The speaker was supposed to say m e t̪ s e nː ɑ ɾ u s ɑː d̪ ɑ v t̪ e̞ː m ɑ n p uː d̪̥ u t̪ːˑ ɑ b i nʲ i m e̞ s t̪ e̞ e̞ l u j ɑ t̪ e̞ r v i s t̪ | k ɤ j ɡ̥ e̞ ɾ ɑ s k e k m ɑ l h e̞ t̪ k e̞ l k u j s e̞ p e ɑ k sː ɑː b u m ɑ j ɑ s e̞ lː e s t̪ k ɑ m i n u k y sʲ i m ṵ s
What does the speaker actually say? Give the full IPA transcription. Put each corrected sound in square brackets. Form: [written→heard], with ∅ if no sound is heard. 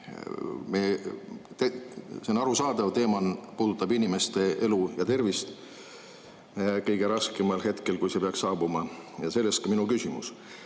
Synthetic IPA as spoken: m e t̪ s e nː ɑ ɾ u s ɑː d̪ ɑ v t̪ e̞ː m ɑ n p uː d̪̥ u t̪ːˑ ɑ b i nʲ i m e̞ s t̪ e̞ e̞ l u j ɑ t̪ e̞ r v i s t̪ | k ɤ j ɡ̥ e̞ ɾ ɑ s k e [k→∅] m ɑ l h e̞ t̪ k e̞ l k u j s e̞ p e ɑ k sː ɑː b u m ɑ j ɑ s e̞ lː e s t̪ k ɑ m i n u k y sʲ i m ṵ s